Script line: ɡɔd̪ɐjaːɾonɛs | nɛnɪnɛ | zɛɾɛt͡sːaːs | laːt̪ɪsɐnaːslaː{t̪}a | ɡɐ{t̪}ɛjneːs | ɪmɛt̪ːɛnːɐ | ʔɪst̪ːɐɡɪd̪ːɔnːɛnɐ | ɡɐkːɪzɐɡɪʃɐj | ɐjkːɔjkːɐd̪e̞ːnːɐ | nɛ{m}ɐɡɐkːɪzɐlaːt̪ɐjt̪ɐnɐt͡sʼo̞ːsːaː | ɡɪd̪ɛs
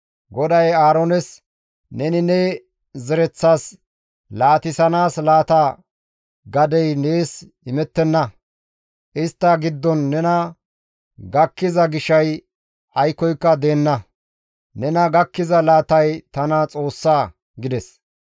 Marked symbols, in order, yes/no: yes, no, no

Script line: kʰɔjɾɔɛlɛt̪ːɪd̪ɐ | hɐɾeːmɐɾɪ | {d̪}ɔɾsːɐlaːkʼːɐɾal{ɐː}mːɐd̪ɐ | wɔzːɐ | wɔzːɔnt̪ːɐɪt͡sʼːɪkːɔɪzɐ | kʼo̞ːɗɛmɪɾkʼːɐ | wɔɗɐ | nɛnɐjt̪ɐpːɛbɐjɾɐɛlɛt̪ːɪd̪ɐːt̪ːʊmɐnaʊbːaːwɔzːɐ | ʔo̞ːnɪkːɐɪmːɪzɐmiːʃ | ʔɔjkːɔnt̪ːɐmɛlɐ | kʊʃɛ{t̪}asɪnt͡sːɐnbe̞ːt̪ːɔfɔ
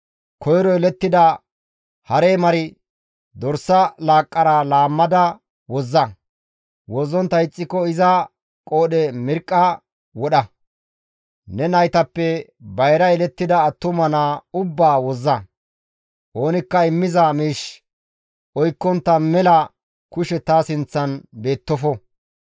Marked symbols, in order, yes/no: yes, no, yes

